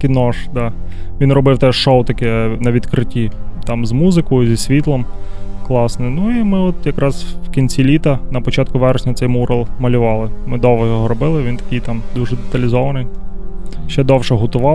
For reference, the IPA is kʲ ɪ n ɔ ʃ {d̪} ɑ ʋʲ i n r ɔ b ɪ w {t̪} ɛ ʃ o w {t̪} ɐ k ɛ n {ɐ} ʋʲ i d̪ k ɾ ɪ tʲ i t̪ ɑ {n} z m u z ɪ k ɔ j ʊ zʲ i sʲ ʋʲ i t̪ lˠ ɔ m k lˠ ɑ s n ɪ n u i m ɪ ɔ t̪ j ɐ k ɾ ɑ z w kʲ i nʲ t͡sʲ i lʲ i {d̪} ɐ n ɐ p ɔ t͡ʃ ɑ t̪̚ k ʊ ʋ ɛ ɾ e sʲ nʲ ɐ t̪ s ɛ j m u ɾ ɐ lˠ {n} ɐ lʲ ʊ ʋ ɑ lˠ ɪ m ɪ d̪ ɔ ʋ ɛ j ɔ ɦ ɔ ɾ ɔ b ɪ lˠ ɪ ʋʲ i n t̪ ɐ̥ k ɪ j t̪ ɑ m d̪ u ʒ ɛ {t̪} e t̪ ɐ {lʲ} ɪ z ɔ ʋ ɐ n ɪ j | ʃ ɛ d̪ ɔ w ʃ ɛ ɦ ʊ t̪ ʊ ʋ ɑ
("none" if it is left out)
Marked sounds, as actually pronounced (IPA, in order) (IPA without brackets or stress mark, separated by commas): d̪, t̪, t̪, ɐ, m, t̪, m, d̪, lʲ